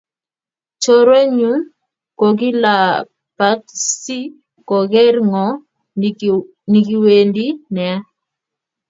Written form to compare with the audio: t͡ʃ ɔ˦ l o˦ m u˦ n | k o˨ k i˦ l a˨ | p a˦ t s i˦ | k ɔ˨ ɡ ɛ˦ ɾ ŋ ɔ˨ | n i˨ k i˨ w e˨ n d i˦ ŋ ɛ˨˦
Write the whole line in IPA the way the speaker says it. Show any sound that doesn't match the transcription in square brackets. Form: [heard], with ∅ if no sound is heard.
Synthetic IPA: t͡ʃ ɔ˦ [ɾ] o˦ [ɲ] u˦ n | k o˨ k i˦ l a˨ | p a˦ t s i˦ | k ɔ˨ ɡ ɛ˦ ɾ ŋ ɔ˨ | n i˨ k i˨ w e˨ n d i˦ [n] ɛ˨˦